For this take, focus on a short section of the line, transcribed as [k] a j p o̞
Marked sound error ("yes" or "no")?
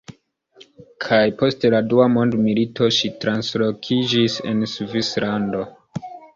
yes